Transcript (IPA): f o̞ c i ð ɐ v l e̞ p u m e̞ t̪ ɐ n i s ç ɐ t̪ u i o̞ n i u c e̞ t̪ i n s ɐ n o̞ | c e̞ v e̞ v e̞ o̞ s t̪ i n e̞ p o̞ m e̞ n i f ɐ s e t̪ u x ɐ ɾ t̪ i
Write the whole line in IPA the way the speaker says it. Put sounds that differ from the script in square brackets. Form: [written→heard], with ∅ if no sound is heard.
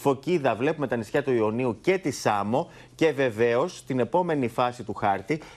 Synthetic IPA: f o̞ c i ð ɐ v l e̞ p u m e̞ t̪ ɐ n i s ç ɐ t̪ u i o̞ n i u c e̞ t̪ i [n→∅] s ɐ [n→m] o̞ | c e̞ v e̞ v e̞ o̞ s t̪ i n e̞ p o̞ m e̞ n i f ɐ s [e→i] t̪ u x ɐ ɾ t̪ i